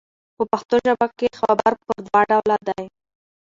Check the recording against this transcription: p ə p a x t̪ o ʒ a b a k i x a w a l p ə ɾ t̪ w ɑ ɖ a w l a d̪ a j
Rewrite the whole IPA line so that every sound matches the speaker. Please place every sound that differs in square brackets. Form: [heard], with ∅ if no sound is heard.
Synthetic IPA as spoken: p ə p a x t̪ o ʒ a b a k [e] x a [b] a [ɾ] p ə ɾ [d̪] w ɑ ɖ a w l a d̪ a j